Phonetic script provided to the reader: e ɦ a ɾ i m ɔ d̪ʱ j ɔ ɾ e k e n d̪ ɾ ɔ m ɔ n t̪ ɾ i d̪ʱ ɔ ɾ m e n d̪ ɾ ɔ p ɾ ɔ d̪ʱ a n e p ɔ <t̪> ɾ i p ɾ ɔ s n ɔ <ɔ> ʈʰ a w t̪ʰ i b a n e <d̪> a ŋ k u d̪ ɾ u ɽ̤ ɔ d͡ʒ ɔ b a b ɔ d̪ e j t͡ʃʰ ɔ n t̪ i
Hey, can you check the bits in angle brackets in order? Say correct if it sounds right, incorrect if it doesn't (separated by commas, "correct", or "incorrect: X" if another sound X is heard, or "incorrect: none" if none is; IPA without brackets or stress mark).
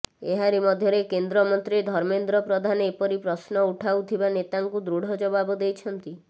incorrect: none, incorrect: u, incorrect: t̪